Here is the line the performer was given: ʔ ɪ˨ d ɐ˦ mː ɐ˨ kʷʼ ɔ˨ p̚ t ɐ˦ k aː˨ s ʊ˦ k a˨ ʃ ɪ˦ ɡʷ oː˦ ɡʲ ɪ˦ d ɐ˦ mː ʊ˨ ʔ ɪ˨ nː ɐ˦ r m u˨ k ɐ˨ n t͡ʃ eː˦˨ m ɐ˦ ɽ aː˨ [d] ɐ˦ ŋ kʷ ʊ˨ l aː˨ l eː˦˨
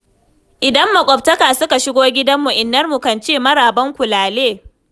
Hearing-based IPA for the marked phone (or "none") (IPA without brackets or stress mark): b